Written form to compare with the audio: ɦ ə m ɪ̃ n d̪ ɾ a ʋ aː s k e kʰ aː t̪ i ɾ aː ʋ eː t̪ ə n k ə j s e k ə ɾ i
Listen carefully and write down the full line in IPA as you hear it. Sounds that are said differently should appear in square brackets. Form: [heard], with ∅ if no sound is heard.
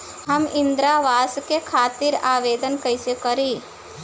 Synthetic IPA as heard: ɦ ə m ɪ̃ n d̪ ɾ a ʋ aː s k e kʰ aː t̪ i ɾ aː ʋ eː [d̪] ə n k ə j s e k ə ɾ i